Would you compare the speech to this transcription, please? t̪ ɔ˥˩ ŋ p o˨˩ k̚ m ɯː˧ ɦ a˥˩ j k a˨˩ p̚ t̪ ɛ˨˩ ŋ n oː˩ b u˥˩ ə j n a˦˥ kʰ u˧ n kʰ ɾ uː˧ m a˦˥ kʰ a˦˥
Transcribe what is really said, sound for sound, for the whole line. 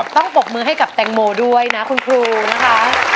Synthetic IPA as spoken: t̪ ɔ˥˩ ŋ p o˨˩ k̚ m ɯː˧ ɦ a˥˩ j k a˨˩ p̚ t̪ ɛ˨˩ ŋ m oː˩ d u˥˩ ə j n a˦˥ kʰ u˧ n kʰ ɾ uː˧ n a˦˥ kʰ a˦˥

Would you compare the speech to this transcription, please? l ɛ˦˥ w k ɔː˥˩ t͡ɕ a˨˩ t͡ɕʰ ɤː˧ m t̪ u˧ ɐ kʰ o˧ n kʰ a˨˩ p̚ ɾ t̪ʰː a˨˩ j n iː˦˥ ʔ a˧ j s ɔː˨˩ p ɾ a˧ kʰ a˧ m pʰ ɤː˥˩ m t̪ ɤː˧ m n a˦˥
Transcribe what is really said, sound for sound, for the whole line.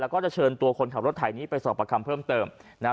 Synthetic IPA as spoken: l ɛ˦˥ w k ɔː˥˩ t͡ɕ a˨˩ t͡ɕʰ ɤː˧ n t̪ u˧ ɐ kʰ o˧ n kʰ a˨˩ p̚ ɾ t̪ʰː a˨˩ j n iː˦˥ p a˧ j s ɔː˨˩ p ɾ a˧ kʰ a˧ m pʰ ɤː˥˩ m t̪ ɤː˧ m n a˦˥

